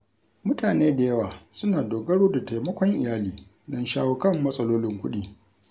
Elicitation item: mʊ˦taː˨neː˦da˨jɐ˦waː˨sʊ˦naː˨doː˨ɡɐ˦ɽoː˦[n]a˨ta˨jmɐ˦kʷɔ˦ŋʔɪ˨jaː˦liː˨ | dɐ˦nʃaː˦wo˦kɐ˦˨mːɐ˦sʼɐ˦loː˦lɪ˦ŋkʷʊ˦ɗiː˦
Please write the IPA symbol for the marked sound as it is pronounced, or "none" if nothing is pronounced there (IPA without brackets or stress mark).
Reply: d